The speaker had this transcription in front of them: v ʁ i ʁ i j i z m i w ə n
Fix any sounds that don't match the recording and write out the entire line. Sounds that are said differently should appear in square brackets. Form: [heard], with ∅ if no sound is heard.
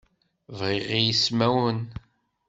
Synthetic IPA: v ʁ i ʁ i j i [s] m [æ] w ə n